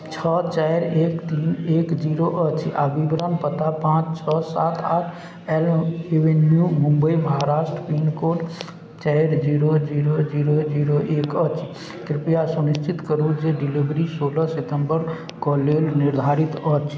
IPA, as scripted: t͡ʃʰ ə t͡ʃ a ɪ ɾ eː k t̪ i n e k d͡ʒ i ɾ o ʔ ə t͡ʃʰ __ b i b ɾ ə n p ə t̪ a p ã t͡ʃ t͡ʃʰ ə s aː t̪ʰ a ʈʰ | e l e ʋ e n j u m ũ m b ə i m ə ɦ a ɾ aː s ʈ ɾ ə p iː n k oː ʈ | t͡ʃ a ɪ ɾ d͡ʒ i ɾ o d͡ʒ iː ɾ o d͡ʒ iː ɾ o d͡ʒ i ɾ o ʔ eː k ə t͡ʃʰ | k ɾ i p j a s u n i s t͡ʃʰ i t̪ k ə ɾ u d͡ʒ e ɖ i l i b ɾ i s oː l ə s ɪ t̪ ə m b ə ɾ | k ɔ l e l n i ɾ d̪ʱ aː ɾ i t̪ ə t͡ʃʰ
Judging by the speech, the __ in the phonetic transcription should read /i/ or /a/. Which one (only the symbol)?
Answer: a